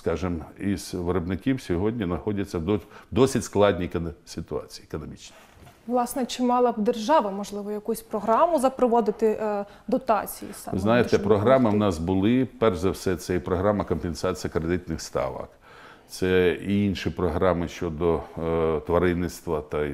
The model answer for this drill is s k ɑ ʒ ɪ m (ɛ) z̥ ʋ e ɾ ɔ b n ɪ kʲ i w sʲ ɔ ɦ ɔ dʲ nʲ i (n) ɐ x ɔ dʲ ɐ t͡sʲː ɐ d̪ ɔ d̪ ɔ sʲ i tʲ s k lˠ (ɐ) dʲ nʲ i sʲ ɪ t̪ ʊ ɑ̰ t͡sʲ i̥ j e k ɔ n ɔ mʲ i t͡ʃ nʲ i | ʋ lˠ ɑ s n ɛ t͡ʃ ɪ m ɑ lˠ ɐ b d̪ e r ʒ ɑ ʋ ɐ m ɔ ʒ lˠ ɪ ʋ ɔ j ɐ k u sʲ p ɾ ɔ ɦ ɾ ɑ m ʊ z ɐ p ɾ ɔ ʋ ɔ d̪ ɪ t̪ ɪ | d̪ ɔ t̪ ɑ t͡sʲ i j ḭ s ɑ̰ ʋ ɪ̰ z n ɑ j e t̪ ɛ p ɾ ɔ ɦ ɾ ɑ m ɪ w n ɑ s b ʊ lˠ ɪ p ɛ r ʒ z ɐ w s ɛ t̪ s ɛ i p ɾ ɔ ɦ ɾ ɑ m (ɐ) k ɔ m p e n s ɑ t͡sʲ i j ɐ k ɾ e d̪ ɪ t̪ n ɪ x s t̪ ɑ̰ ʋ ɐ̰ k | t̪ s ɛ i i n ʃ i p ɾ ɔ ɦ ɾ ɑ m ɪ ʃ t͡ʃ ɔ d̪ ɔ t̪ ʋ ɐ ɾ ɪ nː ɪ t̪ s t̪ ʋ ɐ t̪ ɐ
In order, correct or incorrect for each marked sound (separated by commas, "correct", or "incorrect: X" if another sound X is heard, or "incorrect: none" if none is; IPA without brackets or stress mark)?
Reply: incorrect: i, correct, incorrect: ɑ, correct